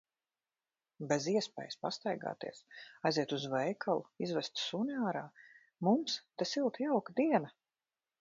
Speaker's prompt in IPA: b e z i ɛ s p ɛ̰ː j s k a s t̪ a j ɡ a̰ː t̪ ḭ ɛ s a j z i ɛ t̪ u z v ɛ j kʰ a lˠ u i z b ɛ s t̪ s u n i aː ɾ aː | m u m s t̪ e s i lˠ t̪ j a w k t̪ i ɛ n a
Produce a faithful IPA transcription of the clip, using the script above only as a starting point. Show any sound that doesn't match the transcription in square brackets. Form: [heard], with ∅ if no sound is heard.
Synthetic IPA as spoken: b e z i ɛ s p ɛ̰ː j s [p] a s t̪ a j ɡ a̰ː t̪ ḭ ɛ s a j z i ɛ t̪ u z v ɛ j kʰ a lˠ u i z [v] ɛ s t̪ s u n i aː ɾ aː | m u m s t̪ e s i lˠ t̪ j a w k [d̪] i ɛ n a